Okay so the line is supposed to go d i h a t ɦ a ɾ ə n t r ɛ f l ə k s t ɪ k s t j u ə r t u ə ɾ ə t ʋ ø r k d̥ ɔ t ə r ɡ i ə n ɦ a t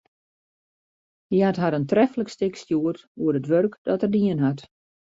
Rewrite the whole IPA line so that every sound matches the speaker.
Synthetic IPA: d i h a t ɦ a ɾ ə n t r ɛ f l ə k s t ɪ k s t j u ə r t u ə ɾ ə t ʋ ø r k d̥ ɔ t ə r d i ə n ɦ a t